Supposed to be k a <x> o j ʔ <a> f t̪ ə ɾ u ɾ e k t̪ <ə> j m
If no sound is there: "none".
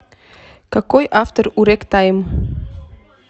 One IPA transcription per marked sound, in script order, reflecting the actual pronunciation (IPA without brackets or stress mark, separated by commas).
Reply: k, a, a